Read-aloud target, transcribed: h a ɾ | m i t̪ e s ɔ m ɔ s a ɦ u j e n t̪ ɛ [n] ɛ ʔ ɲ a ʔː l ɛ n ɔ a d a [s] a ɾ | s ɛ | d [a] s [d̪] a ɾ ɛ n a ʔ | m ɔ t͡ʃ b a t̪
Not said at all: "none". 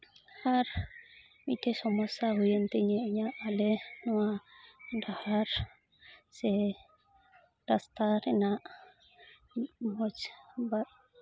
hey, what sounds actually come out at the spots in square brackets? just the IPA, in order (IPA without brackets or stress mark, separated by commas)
ɲ, h, a, t̪